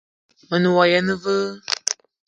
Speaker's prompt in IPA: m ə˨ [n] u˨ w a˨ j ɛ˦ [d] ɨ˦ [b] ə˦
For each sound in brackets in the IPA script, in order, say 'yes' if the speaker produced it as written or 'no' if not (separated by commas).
yes, no, no